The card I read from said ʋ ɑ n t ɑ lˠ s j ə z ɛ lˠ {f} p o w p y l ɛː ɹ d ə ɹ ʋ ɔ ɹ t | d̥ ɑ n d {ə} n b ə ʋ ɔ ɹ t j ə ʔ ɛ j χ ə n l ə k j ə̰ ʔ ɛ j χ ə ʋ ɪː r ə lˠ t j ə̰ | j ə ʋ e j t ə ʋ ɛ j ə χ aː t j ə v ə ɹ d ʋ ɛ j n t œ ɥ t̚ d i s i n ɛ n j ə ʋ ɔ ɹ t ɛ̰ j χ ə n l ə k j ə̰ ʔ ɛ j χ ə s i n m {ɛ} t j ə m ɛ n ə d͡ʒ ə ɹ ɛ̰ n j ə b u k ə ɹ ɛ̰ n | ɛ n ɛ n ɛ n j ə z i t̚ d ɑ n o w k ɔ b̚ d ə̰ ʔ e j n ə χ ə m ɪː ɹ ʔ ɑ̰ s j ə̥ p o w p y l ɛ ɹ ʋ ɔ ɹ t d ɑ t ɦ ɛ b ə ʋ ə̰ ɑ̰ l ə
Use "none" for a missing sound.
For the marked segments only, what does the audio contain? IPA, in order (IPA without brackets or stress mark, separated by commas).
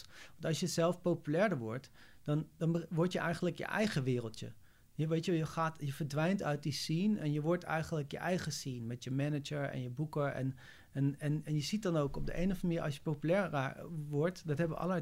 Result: f, ɑ, ɛ